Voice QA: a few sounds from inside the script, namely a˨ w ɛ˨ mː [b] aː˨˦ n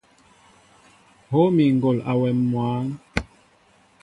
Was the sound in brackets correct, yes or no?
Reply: no